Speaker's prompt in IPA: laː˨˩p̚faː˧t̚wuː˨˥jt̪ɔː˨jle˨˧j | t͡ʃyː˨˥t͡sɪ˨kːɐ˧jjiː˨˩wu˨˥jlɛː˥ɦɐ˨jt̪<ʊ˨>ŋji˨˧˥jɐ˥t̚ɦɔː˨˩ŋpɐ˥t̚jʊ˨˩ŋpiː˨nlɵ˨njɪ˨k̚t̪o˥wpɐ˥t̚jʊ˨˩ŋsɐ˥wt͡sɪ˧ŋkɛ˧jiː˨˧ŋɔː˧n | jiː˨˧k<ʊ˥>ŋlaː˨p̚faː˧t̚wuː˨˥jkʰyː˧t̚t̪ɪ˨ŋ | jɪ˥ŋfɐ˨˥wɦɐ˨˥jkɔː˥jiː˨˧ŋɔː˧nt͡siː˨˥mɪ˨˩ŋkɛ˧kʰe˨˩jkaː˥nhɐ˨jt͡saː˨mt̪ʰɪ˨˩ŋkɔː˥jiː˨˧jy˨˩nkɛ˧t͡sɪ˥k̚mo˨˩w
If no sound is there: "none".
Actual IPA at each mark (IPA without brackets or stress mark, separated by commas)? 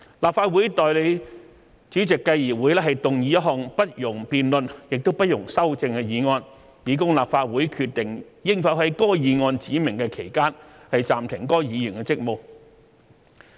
ʊ˨, ʊ˥